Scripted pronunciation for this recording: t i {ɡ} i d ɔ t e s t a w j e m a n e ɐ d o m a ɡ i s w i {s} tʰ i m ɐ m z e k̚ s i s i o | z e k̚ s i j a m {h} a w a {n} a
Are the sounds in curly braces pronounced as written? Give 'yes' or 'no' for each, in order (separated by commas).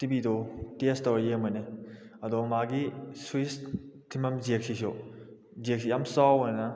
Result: no, yes, no, yes